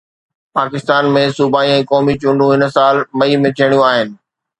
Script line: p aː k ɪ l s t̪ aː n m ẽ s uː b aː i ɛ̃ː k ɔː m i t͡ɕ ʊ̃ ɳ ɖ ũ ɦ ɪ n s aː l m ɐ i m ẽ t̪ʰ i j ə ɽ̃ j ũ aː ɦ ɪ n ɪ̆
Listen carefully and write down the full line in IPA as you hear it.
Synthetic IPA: p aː k ɪ s t̪ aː n m ẽ s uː b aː i ɛ̃ː k ɔː m i t͡ɕ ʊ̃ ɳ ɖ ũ ɦ ɪ n s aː l m ɐ i m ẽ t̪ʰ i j ə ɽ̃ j ũ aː ɦ ɪ n ɪ̆